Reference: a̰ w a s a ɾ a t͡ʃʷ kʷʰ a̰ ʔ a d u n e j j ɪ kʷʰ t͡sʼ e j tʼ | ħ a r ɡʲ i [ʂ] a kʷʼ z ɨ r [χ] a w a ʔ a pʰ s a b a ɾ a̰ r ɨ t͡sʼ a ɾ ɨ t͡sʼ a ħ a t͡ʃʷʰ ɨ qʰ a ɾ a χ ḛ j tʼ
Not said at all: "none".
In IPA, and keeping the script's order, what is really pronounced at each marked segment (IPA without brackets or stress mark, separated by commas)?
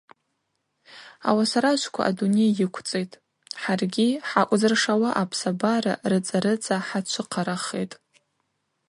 ħ, ʂ